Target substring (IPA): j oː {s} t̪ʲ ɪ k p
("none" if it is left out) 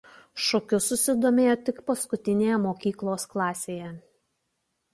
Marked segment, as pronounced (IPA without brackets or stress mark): none